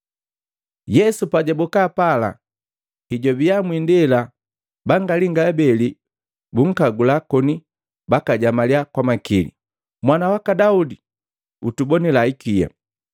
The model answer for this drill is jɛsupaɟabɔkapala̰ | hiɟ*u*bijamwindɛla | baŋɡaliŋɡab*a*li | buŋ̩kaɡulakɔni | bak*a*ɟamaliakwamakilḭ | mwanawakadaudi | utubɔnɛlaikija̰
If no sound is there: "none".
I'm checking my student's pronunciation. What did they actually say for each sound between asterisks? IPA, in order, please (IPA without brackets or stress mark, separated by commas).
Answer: ɔ, ɛ, a